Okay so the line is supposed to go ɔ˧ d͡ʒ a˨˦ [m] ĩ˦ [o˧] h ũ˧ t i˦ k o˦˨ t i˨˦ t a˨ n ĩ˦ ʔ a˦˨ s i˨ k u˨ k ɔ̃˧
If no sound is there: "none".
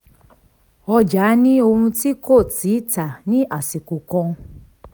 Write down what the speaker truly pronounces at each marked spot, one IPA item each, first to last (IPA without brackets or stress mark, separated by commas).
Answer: n, o˧